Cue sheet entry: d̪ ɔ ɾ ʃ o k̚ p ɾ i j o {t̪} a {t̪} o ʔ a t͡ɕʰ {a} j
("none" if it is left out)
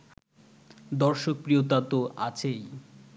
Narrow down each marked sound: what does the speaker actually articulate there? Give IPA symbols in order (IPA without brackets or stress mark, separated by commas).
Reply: t̪, t̪, e